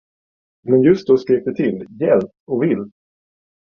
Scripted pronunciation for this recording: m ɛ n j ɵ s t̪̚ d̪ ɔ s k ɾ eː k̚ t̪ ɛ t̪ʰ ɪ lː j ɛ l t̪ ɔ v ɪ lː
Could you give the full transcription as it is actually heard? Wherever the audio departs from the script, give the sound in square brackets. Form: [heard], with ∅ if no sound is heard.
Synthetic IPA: m ɛ n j ɵ s t̪̚ d̪ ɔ s k ɾ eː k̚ [d̪] ɛ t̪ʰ ɪ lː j ɛ l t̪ ɔ v ɪ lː